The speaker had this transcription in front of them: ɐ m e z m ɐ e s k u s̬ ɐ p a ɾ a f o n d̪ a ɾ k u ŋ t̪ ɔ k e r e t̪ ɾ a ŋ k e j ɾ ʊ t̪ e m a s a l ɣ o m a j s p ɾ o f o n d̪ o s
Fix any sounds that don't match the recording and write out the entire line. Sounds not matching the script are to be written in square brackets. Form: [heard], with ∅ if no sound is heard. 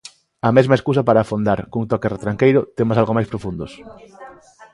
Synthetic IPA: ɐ m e z m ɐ e s k u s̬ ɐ p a ɾ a f o n d̪ a ɾ k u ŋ t̪ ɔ k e r e t̪ ɾ a ŋ k e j ɾ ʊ t̪ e m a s a l ɣ o m a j s p ɾ o f [u] n d̪ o s

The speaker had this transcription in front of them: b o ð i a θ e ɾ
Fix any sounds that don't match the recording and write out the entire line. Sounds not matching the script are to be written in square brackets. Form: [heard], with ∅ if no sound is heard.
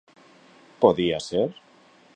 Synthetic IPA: [p] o ð i a [s] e ɾ

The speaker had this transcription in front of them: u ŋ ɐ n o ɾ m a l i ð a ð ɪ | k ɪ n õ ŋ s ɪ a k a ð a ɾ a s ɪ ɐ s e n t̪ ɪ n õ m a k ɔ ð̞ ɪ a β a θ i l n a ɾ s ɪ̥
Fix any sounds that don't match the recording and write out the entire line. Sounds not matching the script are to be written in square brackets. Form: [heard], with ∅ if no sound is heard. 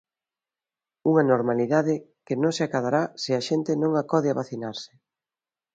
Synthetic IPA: u ŋ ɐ n o ɾ m a l i ð a ð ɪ | k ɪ n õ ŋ s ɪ a k a ð a ɾ a s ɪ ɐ [ʃ] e n t̪ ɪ n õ [ŋ] a k ɔ ð̞ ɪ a β a θ i [∅] n a ɾ s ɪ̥

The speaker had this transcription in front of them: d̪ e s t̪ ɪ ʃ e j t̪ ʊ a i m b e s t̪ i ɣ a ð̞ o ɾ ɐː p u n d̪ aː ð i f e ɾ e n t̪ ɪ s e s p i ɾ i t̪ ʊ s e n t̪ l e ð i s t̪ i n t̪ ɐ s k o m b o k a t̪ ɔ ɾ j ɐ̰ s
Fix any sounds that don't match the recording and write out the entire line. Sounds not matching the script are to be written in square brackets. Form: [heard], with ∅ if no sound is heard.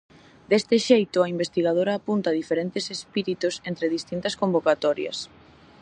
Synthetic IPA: d̪ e s t̪ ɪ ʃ e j t̪ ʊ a i m b e s t̪ i ɣ a ð̞ o ɾ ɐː p u n [t̪] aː ð i f e ɾ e n t̪ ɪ s e s p i ɾ i t̪ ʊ s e n t̪ [ɾ] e ð i s t̪ i n t̪ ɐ s k o m b o k a t̪ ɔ ɾ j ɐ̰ s

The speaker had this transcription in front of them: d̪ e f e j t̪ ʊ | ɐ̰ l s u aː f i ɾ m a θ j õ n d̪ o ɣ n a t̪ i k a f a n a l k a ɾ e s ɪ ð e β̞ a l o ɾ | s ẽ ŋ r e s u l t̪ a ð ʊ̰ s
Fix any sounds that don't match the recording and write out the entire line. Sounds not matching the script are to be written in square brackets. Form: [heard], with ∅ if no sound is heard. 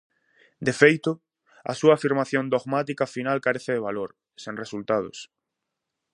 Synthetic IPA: d̪ e f e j t̪ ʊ | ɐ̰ [∅] s u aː f i ɾ m a θ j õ n d̪ o ɣ [m] a t̪ i k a f [i] n a l k a ɾ e [θ] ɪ ð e β̞ a l o ɾ | s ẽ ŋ r e s u l t̪ a ð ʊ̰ s

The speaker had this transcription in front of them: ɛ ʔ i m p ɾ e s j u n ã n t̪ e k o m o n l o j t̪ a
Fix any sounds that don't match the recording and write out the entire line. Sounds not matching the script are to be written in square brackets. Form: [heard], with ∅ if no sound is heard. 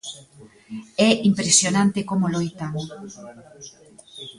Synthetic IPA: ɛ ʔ i m p ɾ e s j [o] n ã n t̪ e k o m o [∅] l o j t̪ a

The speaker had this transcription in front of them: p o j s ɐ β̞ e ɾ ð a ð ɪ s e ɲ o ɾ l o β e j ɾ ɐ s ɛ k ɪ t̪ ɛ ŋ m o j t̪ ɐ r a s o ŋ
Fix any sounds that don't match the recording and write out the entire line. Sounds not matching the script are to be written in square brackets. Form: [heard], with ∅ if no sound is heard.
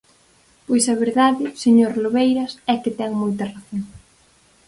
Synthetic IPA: p o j s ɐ β̞ e ɾ ð a ð ɪ s e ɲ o ɾ l o β e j ɾ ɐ s ɛ k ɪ t̪ ɛ ŋ m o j t̪ ɐ r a [θ] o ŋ

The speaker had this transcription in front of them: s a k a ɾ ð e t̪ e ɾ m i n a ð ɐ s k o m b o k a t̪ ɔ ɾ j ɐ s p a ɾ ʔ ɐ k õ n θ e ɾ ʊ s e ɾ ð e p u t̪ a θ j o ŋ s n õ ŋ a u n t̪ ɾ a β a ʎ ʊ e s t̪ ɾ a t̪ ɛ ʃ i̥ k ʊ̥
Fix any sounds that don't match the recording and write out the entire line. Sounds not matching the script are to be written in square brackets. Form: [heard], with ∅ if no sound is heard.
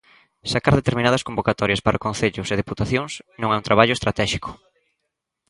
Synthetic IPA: s a k a ɾ ð e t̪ e ɾ m i n a ð ɐ s k o m b o k a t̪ ɔ ɾ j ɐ s p a ɾ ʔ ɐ k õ n θ e [ʎ] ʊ s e [∅] ð e p u t̪ a θ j o ŋ s n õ ŋ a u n t̪ ɾ a β a ʎ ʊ e s t̪ ɾ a t̪ ɛ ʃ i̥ k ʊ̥

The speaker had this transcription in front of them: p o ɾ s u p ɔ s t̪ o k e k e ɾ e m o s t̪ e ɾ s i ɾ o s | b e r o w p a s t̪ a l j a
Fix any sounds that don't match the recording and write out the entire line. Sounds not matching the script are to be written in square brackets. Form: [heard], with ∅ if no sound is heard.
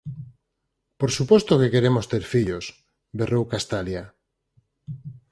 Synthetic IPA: p o ɾ s u p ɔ s t̪ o k e k e ɾ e m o s t̪ e ɾ [f] i [ʎ] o s | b e r o w [k] a s t̪ a l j a

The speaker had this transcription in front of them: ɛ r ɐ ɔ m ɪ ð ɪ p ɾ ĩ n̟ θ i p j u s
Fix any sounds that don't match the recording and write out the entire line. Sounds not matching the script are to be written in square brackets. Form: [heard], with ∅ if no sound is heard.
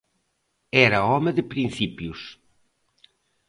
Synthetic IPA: ɛ [ɾ] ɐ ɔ m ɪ ð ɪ p ɾ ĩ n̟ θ i p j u s

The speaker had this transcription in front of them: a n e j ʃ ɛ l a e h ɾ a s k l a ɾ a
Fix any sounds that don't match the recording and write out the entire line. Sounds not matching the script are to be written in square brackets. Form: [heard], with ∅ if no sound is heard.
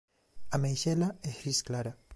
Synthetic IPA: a [m] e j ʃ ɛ l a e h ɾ [i] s k l a ɾ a

